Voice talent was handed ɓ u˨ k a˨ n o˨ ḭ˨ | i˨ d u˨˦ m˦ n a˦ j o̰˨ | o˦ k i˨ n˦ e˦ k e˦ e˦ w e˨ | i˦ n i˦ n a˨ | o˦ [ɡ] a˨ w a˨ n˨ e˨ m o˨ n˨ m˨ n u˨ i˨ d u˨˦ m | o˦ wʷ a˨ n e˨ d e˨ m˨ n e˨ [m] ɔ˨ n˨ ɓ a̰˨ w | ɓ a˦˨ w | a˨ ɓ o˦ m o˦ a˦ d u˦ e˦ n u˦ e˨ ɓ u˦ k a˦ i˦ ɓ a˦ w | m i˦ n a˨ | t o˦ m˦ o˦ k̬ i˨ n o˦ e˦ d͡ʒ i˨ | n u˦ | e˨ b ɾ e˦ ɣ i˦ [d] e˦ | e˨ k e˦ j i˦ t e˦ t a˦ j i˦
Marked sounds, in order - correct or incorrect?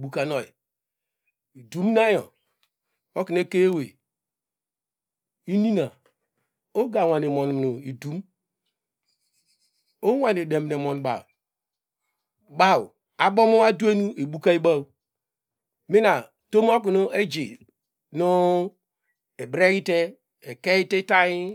correct, correct, incorrect

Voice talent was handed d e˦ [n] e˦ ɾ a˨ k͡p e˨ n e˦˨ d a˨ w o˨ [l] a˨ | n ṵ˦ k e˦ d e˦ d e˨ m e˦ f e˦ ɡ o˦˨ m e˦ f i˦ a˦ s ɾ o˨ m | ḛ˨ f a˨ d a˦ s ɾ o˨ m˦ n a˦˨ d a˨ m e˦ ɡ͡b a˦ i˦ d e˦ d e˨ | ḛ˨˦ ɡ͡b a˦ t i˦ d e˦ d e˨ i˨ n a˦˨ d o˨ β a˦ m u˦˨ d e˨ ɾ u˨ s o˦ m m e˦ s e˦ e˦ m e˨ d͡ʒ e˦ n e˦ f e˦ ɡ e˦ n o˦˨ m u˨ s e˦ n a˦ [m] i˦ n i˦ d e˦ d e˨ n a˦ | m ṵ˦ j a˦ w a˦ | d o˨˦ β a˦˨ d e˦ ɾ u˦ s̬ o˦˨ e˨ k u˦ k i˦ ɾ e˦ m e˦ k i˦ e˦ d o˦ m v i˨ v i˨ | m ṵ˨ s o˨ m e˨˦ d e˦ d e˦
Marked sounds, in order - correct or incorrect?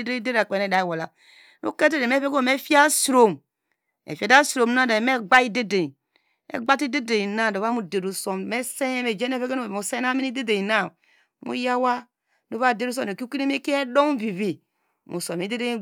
incorrect, correct, correct

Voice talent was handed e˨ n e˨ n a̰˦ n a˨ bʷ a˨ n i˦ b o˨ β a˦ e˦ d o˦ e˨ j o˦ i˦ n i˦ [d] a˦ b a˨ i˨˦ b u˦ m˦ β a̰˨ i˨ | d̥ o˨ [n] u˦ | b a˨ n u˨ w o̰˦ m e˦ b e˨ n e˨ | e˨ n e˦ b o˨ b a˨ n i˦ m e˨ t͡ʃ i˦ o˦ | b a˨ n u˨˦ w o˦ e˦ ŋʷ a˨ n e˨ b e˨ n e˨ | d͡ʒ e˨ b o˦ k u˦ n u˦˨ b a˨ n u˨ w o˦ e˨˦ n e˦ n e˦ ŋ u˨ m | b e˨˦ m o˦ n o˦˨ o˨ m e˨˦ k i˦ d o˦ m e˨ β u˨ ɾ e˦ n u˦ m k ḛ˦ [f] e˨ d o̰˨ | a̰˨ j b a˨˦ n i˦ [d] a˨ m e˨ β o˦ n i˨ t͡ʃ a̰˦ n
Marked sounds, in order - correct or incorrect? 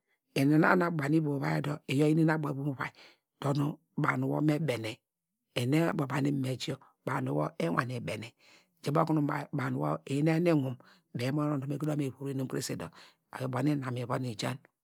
incorrect, correct, incorrect, incorrect

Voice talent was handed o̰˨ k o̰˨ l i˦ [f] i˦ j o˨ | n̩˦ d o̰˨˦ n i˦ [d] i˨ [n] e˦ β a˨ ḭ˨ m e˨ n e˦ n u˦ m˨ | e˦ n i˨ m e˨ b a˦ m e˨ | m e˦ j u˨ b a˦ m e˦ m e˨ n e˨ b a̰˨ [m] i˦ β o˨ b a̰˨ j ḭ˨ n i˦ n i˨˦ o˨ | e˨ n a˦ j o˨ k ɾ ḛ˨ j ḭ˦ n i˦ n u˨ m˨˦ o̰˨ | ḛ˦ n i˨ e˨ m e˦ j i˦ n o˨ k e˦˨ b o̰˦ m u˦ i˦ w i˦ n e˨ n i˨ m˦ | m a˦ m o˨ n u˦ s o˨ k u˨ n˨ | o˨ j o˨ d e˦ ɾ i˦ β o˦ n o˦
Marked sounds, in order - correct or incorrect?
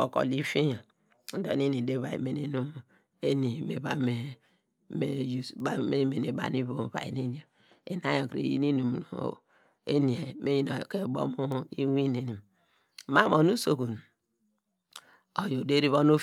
correct, incorrect, incorrect, incorrect

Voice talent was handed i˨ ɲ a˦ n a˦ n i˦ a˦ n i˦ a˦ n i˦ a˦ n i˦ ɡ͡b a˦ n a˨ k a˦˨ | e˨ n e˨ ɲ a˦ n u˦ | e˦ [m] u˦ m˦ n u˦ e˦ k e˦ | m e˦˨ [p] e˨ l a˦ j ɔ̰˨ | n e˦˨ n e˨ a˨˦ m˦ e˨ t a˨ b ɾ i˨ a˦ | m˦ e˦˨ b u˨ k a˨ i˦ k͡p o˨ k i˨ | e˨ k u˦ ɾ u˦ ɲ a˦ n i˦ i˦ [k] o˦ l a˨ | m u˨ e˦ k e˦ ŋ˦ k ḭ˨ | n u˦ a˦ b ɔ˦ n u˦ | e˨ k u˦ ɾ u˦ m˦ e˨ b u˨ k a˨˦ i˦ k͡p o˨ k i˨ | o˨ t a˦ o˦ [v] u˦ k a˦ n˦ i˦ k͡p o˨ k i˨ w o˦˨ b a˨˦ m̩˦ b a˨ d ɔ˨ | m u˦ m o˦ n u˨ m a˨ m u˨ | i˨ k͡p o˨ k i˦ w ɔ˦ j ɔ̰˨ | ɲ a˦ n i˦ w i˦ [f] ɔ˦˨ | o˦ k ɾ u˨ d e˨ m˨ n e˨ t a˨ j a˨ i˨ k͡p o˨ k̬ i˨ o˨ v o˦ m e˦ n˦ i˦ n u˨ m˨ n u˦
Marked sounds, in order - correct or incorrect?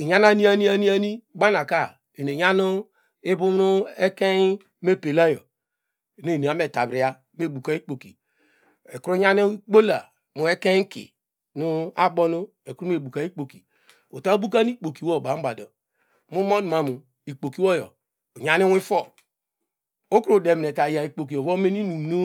incorrect, correct, incorrect, incorrect, correct

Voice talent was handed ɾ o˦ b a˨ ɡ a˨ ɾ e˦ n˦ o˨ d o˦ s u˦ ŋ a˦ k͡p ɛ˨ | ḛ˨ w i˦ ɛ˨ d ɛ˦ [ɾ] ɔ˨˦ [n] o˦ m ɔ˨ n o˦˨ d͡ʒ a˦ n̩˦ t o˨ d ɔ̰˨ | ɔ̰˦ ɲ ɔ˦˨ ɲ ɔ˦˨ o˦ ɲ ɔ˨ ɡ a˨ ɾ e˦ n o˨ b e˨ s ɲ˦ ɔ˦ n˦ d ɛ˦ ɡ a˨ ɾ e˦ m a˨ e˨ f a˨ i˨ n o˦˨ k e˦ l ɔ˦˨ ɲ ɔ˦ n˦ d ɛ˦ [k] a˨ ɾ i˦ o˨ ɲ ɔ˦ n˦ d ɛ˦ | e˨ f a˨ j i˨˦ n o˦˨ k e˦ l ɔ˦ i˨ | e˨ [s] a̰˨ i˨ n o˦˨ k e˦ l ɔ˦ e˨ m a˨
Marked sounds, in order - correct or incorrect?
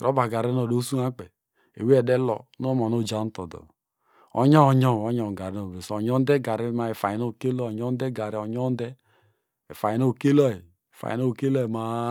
incorrect, correct, incorrect, incorrect

